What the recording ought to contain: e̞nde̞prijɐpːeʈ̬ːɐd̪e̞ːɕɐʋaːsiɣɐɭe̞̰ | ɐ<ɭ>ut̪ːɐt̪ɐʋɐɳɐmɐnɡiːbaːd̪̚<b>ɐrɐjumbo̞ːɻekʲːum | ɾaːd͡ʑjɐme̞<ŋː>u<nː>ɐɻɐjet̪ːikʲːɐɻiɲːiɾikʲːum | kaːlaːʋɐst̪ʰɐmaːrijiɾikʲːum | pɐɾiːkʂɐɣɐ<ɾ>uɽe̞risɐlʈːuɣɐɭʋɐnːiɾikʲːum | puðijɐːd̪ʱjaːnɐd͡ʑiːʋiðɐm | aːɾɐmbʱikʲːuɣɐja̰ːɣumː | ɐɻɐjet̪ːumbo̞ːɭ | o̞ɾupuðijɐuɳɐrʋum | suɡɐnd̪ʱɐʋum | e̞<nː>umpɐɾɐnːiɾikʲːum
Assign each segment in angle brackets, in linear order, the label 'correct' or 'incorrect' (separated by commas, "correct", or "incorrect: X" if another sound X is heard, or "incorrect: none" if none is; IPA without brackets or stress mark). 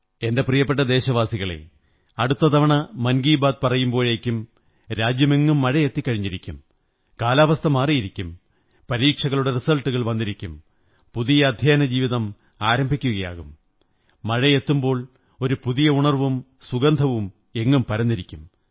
incorrect: ɽ, incorrect: p, correct, incorrect: mː, incorrect: ɭ, incorrect: ŋː